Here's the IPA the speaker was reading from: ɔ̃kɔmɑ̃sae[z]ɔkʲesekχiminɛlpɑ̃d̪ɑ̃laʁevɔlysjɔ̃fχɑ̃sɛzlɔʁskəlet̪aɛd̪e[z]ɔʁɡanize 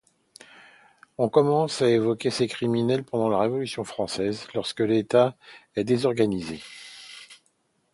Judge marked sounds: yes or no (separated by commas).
no, yes